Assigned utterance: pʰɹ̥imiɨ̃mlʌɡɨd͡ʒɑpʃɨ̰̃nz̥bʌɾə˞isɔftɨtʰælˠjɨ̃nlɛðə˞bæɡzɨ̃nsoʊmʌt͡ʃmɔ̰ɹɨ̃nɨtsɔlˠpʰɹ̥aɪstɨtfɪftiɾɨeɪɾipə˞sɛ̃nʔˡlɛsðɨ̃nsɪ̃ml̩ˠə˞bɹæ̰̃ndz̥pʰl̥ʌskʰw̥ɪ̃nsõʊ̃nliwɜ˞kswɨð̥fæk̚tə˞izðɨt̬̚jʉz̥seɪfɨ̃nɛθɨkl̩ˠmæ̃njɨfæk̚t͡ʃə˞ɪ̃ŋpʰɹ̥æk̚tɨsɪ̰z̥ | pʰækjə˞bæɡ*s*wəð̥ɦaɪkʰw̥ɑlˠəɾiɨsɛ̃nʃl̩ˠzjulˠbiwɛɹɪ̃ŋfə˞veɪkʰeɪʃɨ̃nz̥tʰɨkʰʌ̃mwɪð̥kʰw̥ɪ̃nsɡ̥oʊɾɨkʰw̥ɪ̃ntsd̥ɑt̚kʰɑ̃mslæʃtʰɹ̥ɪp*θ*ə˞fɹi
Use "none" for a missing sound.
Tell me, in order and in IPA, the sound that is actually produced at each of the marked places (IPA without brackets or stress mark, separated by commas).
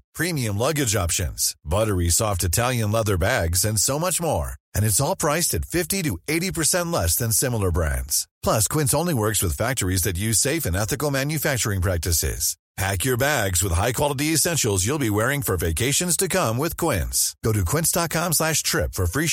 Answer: z, f